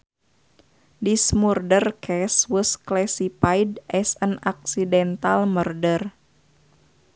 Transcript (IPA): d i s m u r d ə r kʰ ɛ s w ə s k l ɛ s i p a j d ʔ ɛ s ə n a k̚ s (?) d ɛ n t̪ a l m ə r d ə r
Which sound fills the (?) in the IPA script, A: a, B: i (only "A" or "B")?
B